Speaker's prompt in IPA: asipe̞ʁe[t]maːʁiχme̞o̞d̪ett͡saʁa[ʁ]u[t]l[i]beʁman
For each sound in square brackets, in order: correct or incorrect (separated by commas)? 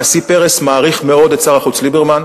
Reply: incorrect, incorrect, incorrect, correct